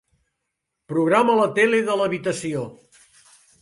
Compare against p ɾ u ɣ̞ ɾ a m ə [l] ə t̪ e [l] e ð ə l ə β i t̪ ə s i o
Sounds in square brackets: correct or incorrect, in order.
correct, correct

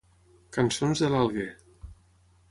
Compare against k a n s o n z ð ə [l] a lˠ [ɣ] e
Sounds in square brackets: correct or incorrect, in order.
correct, correct

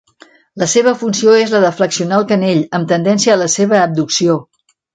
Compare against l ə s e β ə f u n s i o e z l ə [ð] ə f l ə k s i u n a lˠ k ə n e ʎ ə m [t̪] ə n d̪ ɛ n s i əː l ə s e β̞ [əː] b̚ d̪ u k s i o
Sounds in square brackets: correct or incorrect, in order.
correct, correct, correct

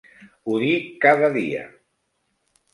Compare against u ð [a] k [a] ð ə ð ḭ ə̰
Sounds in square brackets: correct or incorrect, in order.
incorrect, correct

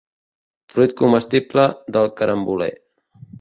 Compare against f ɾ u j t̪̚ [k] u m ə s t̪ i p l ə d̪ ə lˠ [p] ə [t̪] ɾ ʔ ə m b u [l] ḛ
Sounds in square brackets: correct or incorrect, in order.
correct, incorrect, incorrect, correct

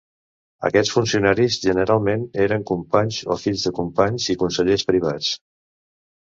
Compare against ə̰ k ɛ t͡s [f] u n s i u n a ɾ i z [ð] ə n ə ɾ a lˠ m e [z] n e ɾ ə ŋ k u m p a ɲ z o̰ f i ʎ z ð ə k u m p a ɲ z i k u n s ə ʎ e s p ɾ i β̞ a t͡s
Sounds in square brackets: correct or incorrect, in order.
correct, incorrect, incorrect

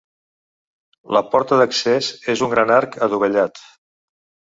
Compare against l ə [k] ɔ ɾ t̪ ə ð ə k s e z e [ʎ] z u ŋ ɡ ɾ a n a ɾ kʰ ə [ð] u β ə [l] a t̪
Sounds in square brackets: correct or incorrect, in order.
incorrect, incorrect, correct, incorrect

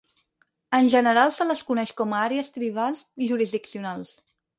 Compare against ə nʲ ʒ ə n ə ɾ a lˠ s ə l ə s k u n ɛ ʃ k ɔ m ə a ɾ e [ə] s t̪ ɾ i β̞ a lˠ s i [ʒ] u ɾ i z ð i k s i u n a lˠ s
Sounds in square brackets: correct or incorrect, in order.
correct, correct

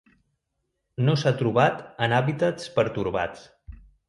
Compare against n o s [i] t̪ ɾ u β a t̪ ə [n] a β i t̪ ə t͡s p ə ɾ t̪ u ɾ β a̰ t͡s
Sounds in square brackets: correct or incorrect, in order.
incorrect, correct

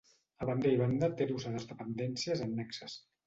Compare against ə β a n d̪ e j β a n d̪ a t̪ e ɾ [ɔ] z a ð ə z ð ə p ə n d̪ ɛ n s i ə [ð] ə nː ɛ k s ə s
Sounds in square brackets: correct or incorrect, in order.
incorrect, incorrect

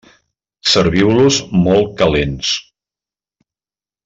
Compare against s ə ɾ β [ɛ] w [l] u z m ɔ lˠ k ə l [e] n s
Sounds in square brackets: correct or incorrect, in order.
incorrect, correct, correct

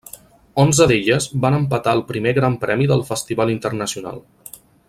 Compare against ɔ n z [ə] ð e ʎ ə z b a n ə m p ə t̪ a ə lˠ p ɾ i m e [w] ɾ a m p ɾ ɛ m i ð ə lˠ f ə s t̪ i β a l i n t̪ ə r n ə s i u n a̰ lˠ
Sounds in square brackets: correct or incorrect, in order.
correct, incorrect

